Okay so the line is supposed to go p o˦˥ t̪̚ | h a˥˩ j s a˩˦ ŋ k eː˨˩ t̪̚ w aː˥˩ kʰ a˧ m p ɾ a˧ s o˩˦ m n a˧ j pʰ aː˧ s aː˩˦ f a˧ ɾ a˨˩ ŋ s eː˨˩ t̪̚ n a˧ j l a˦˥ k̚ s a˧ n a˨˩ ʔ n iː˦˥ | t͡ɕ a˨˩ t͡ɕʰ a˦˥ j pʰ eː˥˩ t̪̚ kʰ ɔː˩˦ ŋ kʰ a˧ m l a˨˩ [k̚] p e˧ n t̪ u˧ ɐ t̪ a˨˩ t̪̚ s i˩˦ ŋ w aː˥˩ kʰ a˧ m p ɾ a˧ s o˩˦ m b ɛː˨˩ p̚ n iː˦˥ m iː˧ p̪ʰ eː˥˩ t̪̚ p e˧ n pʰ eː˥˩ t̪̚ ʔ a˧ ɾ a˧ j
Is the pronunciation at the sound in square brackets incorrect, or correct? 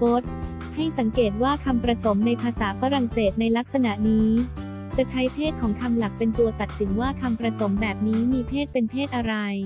correct